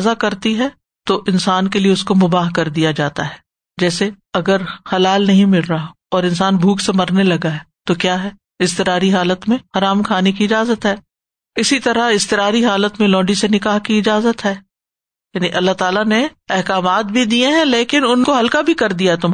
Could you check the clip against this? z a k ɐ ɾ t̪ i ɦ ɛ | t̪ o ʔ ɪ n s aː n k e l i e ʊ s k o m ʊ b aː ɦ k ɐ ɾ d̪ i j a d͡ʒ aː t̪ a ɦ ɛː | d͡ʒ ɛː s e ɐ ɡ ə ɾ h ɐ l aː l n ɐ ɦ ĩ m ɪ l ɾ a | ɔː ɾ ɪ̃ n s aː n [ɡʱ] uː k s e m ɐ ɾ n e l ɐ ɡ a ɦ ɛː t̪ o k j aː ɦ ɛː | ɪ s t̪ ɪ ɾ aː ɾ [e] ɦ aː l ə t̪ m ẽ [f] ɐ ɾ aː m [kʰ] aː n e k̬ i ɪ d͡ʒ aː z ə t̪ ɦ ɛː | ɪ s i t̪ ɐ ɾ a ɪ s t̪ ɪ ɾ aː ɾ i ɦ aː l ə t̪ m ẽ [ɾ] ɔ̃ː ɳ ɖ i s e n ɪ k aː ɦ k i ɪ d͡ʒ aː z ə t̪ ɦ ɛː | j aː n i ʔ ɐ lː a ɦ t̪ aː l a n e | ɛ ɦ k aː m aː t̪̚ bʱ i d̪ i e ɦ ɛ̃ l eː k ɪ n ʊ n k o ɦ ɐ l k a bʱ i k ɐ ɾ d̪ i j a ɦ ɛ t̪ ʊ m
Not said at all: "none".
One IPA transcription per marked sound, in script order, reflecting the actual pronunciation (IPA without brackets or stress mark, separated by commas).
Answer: bʱ, i, h, kʰ, l